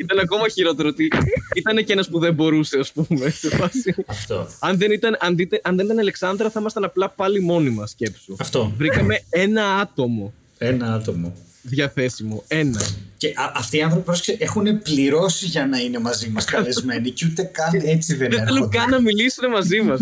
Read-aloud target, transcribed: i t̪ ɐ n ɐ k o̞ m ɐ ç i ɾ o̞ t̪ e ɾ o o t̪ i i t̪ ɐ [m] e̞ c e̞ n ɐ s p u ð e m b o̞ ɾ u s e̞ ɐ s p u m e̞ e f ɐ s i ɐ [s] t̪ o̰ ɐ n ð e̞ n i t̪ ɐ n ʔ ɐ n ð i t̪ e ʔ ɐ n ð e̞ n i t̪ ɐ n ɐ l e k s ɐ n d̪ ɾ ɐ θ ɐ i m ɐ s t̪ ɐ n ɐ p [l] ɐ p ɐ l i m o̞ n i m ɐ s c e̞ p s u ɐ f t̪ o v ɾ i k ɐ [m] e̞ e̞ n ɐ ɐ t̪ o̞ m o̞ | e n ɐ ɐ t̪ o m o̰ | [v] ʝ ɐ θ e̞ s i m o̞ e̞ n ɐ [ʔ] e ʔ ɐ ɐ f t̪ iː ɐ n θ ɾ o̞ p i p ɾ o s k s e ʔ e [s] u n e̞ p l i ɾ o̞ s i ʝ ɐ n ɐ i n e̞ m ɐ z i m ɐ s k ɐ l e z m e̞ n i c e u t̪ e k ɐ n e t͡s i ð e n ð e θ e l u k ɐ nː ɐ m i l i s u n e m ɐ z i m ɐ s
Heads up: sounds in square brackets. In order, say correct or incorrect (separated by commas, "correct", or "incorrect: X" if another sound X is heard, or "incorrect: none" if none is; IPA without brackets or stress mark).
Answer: incorrect: n, incorrect: f, correct, correct, incorrect: ð, incorrect: c, incorrect: x